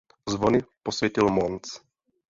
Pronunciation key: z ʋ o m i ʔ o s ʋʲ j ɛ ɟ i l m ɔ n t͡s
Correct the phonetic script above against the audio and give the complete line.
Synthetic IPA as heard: z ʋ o n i p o s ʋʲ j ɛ c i l m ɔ n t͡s